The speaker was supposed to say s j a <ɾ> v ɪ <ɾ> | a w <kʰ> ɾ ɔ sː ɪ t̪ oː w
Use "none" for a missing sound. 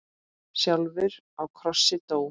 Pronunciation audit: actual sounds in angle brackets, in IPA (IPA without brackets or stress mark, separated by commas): l, ɾ, kʰ